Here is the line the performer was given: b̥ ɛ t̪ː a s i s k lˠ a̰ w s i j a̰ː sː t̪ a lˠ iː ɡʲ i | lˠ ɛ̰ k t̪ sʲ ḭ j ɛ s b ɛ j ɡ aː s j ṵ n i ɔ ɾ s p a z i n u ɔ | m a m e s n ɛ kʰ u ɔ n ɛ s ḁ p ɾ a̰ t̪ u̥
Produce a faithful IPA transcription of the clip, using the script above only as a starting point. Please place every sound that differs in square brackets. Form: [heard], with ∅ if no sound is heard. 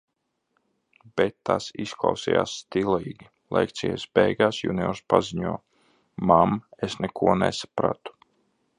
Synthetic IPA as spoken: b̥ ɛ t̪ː a s i s k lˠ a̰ w s i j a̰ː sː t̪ [i] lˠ iː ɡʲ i | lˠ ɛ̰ k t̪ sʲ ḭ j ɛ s b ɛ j ɡ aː s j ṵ n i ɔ ɾ s p a z i [ɲ] u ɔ | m a m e s n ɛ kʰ u ɔ n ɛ s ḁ p ɾ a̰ t̪ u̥